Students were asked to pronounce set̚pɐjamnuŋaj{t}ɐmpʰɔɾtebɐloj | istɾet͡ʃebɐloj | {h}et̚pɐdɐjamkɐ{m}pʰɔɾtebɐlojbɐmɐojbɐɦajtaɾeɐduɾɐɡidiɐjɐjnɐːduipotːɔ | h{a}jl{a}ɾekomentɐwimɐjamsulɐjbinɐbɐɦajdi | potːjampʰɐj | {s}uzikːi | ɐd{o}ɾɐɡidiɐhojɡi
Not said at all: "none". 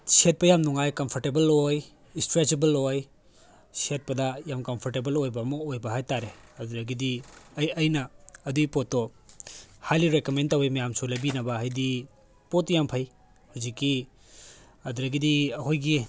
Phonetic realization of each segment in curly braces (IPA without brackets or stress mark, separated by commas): k, s, m, a, i, h, u